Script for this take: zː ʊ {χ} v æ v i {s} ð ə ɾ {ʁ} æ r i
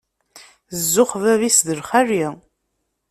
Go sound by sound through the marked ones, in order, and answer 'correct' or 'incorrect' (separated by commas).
correct, correct, incorrect